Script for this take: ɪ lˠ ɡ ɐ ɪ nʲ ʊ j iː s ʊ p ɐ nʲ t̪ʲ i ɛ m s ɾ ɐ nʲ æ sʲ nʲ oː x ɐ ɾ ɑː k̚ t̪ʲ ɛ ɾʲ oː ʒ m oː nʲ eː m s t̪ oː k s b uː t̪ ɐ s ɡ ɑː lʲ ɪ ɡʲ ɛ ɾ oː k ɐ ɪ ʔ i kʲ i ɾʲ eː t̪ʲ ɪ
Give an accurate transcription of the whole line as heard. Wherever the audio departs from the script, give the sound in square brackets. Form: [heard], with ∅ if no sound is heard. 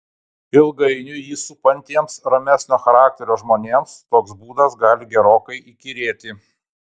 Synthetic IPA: ɪ lˠ ɡ ɐ ɪ nʲ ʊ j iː s ʊ p ɐ nʲ t̪ʲ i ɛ m s ɾ ɐ [mʲ] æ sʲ nʲ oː x ɐ ɾ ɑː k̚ t̪ʲ ɛ ɾʲ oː ʒ m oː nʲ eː m s t̪ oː k s b uː [d̪] ɐ s ɡ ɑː lʲ ɪ ɡʲ ɛ ɾ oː k ɐ ɪ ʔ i kʲ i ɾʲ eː t̪ʲ ɪ

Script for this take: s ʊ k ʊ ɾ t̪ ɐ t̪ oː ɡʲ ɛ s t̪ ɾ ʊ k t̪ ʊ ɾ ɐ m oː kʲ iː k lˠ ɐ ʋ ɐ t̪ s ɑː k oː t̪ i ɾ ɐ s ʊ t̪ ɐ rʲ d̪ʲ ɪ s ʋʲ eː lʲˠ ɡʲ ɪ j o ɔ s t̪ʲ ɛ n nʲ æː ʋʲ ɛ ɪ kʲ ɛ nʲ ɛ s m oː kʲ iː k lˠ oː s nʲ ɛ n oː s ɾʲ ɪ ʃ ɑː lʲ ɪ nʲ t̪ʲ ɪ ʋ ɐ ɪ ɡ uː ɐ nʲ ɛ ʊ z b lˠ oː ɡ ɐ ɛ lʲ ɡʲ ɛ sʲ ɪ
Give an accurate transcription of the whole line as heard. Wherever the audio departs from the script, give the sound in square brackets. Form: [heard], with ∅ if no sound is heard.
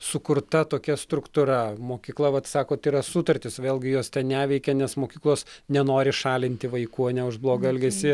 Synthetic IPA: s ʊ k ʊ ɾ t̪ ɐ t̪ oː [kʲ] ɛ s t̪ ɾ ʊ k t̪ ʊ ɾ ɐ m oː kʲ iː k lˠ ɐ ʋ ɐ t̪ s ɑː k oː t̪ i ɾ ɐ s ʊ t̪ ɐ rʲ [t̪ʲ] ɪ s ʋʲ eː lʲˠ ɡʲ ɪ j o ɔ s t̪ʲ ɛ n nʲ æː ʋʲ ɛ ɪ kʲ ɛ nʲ ɛ s m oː kʲ iː k lˠ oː s nʲ ɛ n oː [∅] ɾʲ ɪ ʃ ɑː lʲ ɪ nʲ t̪ʲ ɪ ʋ ɐ ɪ [k] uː ɐ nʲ ɛ ʊ [ʒ] b lˠ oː ɡ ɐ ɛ lʲ ɡʲ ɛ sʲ ɪ

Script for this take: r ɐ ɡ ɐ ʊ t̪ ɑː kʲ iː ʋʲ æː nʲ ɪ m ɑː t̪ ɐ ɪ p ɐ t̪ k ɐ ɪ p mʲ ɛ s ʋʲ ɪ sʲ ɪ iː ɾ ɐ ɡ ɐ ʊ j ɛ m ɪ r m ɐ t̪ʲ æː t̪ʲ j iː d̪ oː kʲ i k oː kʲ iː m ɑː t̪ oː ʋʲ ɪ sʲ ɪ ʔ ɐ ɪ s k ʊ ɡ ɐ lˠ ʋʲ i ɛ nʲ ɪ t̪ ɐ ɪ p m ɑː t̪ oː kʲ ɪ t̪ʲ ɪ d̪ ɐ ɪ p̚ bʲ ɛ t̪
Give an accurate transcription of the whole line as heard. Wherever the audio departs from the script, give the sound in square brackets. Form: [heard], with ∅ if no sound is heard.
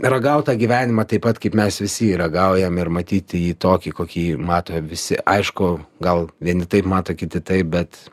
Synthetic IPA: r ɐ ɡ ɐ ʊ t̪ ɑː [ɡʲ] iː ʋʲ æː nʲ ɪ m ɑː t̪ ɐ ɪ p ɐ t̪ k ɐ ɪ p mʲ ɛ s ʋʲ ɪ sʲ ɪ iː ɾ ɐ ɡ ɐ ʊ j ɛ m ɪ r m ɐ t̪ʲ [iː] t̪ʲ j iː [t̪] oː kʲ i k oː kʲ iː m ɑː t̪ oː ʋʲ ɪ sʲ ɪ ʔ ɐ ɪ [ʃ] k ʊ ɡ ɐ lˠ ʋʲ i ɛ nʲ ɪ t̪ ɐ ɪ p m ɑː t̪ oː kʲ ɪ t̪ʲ ɪ [t̪] ɐ ɪ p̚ bʲ ɛ t̪

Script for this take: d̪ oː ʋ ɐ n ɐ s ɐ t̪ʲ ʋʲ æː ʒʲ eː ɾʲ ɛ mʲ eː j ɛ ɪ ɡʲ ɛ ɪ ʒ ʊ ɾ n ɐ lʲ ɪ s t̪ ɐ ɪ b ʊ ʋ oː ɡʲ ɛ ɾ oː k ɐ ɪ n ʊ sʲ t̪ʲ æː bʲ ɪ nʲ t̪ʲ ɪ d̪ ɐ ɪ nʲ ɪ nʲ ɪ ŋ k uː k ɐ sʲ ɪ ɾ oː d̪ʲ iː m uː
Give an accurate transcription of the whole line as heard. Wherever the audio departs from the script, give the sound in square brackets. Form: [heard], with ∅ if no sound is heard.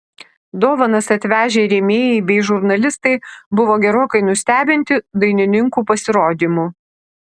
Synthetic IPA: d̪ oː ʋ ɐ n ɐ s ɐ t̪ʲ ʋʲ æː ʒʲ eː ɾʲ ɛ mʲ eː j ɛ ɪ [bʲ] ɛ ɪ ʒ ʊ ɾ n ɐ lʲ ɪ s t̪ ɐ ɪ b ʊ ʋ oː ɡʲ ɛ ɾ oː k ɐ ɪ n ʊ sʲ t̪ʲ æː bʲ ɪ nʲ t̪ʲ ɪ d̪ ɐ ɪ nʲ ɪ nʲ ɪ ŋ k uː [p] ɐ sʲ ɪ ɾ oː d̪ʲ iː m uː

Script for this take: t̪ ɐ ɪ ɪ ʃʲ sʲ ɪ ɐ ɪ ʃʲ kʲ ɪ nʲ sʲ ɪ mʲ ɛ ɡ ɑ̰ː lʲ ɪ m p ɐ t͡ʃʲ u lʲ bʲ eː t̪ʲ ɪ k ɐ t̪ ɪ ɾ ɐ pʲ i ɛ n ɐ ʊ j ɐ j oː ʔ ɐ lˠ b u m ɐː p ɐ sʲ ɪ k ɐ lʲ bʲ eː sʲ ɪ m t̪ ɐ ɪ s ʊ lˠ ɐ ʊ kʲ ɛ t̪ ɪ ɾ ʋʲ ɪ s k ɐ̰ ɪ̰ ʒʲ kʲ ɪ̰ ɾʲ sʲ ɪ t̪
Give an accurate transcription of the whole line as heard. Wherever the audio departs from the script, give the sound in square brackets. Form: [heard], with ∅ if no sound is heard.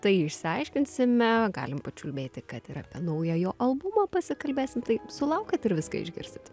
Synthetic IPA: t̪ ɐ ɪ ɪ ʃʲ sʲ ɪ ɐ ɪ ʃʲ kʲ ɪ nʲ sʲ ɪ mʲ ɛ ɡ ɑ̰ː lʲ ɪ m p ɐ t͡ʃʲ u lʲ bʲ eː t̪ʲ ɪ k ɐ t̪ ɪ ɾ ɐ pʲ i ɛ n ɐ ʊ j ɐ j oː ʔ ɐ lˠ b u m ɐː p ɐ sʲ ɪ k ɐ lʲ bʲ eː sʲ ɪ m t̪ ɐ ɪ s ʊ lˠ ɐ ʊ kʲ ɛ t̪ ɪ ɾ ʋʲ ɪ s k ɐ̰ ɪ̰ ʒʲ [ɡʲ] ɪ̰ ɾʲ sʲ ɪ t̪

